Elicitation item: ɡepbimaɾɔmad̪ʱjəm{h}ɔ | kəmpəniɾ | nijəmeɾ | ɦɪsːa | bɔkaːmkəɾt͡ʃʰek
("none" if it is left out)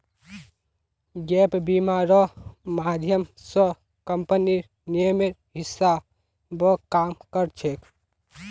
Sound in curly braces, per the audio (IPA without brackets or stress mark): s